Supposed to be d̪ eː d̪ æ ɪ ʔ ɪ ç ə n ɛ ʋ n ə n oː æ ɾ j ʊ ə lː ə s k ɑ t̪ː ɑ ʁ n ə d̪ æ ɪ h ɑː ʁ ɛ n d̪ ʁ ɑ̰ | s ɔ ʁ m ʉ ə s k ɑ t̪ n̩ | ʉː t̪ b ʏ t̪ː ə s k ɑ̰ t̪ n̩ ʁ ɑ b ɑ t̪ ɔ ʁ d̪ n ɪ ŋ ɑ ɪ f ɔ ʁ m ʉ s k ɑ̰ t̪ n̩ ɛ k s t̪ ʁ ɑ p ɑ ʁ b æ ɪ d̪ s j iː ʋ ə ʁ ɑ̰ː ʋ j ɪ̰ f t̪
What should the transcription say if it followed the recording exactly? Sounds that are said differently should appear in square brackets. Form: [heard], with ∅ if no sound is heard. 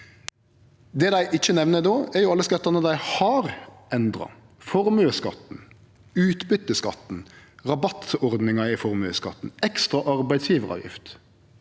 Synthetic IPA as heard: d̪ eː d̪ æ ɪ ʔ ɪ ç ə n ɛ ʋ n ə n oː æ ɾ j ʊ [ɑ] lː ə s k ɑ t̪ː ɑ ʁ n ə d̪ æ ɪ h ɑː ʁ ɛ n d̪ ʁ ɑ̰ | [f] ɔ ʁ m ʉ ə s k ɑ t̪ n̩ | ʉː t̪ b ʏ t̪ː ə s k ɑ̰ t̪ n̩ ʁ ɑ b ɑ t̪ ɔ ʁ d̪ n ɪ ŋ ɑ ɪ f ɔ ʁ m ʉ s k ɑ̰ t̪ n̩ ɛ k s t̪ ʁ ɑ [ʔ] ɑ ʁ b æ ɪ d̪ s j iː ʋ ə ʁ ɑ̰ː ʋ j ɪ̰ f t̪

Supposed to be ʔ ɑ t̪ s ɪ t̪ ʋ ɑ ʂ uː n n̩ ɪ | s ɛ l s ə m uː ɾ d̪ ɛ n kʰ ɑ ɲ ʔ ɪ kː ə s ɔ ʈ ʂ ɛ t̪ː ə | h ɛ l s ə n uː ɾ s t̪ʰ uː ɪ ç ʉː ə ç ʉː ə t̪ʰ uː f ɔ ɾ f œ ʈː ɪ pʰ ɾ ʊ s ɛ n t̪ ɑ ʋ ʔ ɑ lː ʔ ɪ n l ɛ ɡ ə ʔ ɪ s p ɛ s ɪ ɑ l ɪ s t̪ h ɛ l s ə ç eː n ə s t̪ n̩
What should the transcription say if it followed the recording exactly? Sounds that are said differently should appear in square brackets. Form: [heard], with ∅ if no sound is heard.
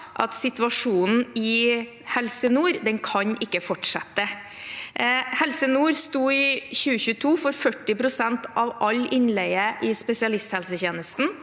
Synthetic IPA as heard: ʔ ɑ t̪ s ɪ t̪ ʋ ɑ ʂ uː n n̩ ɪ | [h] ɛ l s ə [n] uː ɾ d̪ ɛ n kʰ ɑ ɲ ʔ ɪ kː ə [f] ɔ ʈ ʂ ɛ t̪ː ə | h ɛ l s ə n uː ɾ s [t̪] uː ɪ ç ʉː ə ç ʉː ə t̪ʰ uː f ɔ ɾ f œ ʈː ɪ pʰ ɾ ʊ s ɛ n t̪ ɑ ʋ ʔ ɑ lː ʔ ɪ n l ɛ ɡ ə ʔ ɪ s p ɛ s ɪ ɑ l ɪ s t̪ h ɛ l s ə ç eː n ə s t̪ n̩

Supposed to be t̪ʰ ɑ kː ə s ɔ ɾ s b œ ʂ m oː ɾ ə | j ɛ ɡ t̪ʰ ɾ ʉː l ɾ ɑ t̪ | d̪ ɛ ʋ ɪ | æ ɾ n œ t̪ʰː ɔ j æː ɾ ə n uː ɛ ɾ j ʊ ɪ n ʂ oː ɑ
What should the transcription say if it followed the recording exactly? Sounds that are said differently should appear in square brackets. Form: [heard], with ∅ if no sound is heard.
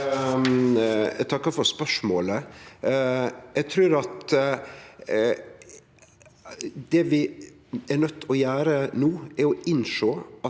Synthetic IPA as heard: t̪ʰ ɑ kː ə [f] ɔ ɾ s [p] œ ʂ m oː [l] ə | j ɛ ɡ t̪ʰ ɾ ʉː [∅] ɾ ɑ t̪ | d̪ ɛ ʋ ɪ | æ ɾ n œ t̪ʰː ɔ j æː ɾ ə n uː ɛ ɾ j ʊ ɪ n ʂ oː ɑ

